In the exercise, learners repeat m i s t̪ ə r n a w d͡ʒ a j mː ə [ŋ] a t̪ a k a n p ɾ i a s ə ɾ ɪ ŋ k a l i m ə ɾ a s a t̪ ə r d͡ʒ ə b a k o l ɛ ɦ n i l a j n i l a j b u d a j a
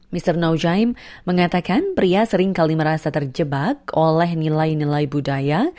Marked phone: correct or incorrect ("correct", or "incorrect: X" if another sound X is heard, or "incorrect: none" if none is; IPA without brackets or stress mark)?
correct